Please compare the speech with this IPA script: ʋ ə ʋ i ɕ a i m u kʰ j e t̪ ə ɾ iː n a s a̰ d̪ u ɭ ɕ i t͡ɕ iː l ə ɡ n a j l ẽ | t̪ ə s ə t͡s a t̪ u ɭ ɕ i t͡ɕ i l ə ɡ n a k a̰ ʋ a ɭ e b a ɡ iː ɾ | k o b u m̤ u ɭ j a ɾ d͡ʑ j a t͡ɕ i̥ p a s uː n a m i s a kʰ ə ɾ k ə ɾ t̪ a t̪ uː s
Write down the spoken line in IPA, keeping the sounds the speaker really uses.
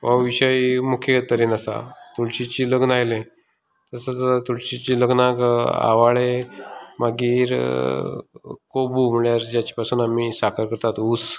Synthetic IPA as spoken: ʋ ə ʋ i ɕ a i m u kʰ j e t̪ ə ɾ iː n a s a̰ t̪ u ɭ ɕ i t͡ɕ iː l ə ɡ n a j l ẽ | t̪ ə s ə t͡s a t̪ u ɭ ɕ i t͡ɕ i l ə ɡ n a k a̰ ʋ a ɭ e m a ɡ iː ɾ | k o b u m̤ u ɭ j a ɾ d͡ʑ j a t͡ɕ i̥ p a s uː n a m i s a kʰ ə ɾ k ə ɾ t̪ a t̪ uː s